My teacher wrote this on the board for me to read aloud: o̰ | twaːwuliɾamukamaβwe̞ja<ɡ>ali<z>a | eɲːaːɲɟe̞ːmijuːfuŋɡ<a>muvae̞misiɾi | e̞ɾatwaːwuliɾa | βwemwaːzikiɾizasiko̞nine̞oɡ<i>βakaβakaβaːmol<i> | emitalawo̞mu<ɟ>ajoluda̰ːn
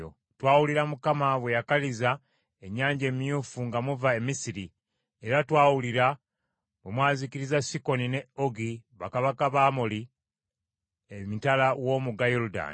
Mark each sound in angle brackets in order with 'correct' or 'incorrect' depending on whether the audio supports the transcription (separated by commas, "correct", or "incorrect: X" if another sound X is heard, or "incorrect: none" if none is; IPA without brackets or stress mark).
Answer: incorrect: k, correct, correct, correct, correct, incorrect: ɡ